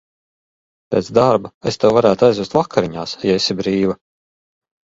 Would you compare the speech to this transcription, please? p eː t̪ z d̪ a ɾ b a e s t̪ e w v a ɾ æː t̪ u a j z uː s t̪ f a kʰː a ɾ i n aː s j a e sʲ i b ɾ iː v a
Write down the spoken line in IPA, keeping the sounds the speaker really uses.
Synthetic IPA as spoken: p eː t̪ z d̪ a ɾ b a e s t̪ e w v a ɾ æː t̪ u a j z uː s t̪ v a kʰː a ɾ i ɲ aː s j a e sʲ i b ɾ iː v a